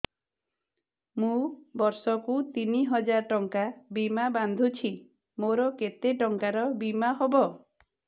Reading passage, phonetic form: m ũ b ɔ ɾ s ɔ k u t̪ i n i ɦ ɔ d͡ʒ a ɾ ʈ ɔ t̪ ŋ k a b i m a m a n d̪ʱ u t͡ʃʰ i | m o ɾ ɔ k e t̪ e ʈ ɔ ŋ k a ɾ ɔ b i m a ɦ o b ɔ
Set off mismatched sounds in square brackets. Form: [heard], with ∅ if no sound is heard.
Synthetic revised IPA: m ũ b ɔ ɾ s ɔ k u t̪ i n i ɦ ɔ d͡ʒ a ɾ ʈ ɔ [∅] ŋ k a b i m a [b] a n d̪ʱ u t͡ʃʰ i | m o ɾ ɔ k e t̪ e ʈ ɔ ŋ k a ɾ ɔ b i m a ɦ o b ɔ